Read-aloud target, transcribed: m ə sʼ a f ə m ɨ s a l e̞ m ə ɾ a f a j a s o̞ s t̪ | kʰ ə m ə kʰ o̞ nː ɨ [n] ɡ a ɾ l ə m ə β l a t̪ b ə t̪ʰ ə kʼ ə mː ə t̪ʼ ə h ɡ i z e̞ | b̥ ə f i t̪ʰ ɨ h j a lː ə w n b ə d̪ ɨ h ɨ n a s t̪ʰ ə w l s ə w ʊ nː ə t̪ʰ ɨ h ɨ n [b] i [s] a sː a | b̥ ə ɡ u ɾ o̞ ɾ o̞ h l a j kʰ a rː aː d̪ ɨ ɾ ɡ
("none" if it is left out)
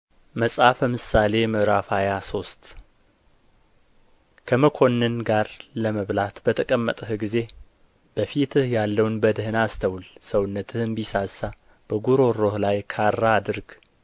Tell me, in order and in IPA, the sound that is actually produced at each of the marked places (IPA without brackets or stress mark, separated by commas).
n, b, s